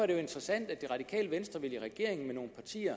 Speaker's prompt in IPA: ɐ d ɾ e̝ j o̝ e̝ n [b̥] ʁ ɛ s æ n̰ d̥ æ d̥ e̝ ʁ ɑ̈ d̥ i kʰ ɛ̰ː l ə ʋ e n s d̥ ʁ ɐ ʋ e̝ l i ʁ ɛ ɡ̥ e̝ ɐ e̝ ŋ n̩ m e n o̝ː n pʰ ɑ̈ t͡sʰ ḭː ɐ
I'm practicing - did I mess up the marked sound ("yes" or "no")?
yes